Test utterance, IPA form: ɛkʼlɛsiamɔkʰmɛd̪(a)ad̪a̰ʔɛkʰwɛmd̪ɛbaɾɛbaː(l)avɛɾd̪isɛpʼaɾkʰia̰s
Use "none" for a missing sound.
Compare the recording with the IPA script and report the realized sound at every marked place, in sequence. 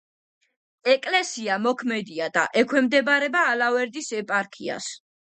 i, l

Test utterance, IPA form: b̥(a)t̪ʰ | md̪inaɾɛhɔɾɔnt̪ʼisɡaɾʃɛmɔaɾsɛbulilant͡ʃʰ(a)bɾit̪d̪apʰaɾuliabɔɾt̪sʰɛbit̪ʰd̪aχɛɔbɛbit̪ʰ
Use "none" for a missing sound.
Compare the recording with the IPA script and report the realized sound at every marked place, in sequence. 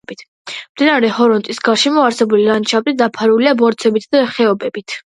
i, a

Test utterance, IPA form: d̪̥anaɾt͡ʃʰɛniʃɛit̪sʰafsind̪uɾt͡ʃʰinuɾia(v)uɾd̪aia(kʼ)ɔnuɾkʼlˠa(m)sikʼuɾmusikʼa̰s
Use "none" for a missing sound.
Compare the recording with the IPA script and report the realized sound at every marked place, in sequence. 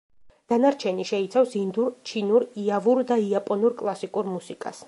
v, pʼ, none

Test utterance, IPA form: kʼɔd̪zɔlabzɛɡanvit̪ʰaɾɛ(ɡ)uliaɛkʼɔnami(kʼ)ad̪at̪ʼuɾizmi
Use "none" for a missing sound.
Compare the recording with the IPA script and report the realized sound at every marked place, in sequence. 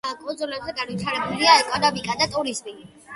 b, kʼ

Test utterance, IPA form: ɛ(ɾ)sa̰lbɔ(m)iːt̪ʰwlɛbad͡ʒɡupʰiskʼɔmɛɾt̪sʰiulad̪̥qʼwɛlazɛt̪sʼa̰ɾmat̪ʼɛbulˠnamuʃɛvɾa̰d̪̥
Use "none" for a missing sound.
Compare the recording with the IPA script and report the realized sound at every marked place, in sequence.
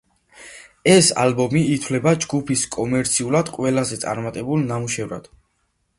none, m

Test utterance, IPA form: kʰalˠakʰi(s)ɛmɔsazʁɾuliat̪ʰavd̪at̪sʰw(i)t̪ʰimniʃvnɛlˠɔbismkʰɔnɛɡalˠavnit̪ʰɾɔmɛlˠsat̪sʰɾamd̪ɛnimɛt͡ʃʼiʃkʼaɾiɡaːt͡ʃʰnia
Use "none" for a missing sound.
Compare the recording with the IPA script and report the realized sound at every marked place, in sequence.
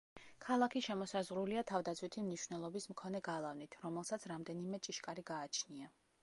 ʃ, i

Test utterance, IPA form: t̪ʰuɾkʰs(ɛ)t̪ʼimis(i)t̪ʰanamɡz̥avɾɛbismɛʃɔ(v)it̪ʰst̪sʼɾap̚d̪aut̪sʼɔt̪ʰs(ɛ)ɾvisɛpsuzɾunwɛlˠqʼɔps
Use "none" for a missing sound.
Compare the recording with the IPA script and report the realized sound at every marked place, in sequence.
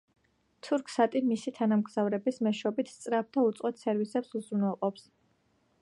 a, i, b, ɛ

